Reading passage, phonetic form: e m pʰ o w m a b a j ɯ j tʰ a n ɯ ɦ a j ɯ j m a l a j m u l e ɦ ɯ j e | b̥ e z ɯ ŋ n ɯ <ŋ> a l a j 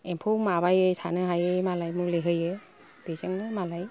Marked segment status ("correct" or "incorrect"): incorrect